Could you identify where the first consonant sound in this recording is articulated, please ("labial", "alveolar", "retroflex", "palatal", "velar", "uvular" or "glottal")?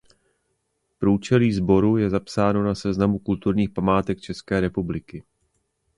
labial